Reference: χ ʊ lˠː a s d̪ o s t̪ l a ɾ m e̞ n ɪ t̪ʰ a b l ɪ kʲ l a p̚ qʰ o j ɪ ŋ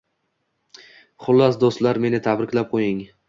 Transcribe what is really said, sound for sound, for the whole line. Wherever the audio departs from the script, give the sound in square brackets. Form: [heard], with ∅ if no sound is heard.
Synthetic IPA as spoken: χ ʊ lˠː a s d̪ o s t̪ l a ɾ m e̞ n ɪ t̪ʰ a b [ɾ] ɪ kʲ l a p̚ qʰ o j ɪ ŋ